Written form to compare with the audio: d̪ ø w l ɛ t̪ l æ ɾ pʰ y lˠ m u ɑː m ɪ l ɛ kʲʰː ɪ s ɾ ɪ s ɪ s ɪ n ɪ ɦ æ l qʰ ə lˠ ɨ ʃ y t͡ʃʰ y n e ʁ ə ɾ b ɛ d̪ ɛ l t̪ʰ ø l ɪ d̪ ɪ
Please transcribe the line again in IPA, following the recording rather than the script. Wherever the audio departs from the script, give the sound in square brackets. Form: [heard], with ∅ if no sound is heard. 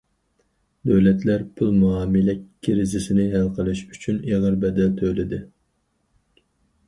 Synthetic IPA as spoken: d̪ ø w l ɛ t̪ l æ ɾ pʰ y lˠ m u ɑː m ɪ l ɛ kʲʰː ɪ [∅] ɾ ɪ [z] ɪ s ɪ n ɪ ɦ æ l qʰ ə lˠ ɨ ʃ y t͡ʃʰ y n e ʁ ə ɾ b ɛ d̪ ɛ l t̪ʰ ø l ɪ d̪ ɪ

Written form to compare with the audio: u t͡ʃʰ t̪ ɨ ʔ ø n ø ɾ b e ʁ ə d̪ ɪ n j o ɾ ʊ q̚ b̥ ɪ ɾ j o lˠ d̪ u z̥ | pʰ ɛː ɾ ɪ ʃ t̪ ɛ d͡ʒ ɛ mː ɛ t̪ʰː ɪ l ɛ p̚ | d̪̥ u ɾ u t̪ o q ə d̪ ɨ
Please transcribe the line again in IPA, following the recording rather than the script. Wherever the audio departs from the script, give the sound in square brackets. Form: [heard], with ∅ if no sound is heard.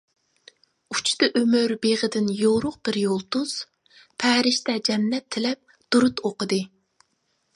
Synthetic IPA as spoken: u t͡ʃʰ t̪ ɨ ʔ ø [m] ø ɾ b e ʁ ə d̪ ɪ n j o ɾ ʊ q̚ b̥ ɪ ɾ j o lˠ [t̪] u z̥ | pʰ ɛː ɾ ɪ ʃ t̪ ɛ d͡ʒ ɛ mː ɛ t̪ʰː ɪ l ɛ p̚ | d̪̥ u ɾ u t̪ o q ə d̪ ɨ

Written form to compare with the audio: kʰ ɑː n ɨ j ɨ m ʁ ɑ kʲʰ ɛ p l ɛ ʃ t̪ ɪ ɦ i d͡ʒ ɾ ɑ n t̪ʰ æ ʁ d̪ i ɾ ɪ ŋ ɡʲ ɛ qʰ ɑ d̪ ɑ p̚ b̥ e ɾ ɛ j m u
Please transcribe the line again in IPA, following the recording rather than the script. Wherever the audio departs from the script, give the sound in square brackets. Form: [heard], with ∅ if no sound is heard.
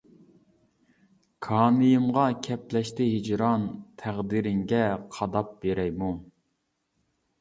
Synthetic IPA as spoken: kʰ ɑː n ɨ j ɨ m ʁ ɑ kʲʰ ɛ p l ɛ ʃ t̪ ɪ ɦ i d͡ʒ ɾ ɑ n t̪ʰ æ ʁ d̪ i ɾ ɪ ŋ ɡʲ ɛ qʰ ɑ d̪ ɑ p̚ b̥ e ɾ ɛ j m u

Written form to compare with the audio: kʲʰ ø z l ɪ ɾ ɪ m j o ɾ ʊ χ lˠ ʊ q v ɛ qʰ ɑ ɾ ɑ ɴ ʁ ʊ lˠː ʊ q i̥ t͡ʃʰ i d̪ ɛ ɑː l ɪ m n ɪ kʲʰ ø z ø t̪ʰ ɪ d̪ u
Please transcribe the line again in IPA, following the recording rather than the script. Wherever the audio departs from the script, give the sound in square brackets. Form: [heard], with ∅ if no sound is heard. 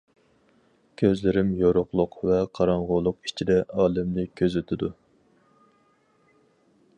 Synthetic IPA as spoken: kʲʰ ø z l ɪ ɾ ɪ m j o ɾ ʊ χ lˠ ʊ q v ɛ qʰ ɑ ɾ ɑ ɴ ʁ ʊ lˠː ʊ q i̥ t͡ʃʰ i d̪ ɛ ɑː l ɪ m n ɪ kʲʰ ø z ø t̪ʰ ɪ d̪ u

